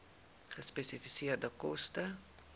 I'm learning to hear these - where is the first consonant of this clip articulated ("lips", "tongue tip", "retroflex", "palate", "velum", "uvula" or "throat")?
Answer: uvula